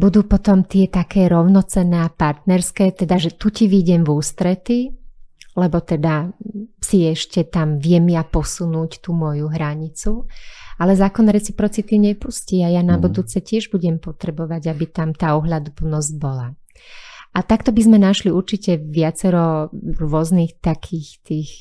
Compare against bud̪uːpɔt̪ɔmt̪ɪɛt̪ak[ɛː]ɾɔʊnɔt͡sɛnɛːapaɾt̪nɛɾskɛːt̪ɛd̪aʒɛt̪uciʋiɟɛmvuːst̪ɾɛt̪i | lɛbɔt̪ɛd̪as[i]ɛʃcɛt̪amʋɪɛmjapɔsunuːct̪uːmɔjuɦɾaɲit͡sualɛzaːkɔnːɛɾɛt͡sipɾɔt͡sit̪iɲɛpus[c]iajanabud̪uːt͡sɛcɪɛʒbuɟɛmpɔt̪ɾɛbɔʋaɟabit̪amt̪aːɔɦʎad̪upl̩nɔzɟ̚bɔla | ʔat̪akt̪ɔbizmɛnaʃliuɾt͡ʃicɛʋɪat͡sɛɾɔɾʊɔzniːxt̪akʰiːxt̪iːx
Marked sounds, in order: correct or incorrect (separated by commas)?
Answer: correct, correct, correct